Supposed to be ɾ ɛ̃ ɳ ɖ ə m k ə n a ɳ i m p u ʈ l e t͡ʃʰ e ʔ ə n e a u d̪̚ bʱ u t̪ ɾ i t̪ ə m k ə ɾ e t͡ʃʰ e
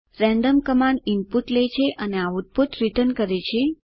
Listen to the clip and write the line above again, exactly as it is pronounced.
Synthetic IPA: ɾ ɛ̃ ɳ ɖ ə m k ə m a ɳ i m p u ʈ l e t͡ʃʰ e ʔ ə n e a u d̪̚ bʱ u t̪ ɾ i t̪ ə n k ə ɾ e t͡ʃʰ e